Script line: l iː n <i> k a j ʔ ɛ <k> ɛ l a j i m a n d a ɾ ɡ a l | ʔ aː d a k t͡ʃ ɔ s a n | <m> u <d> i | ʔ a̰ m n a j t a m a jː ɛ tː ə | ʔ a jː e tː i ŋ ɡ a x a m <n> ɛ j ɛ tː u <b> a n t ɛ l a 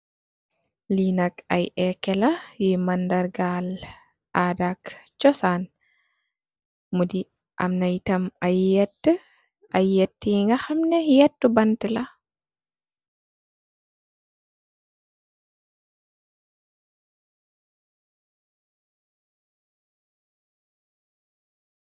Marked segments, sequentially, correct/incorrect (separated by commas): incorrect, correct, correct, correct, correct, correct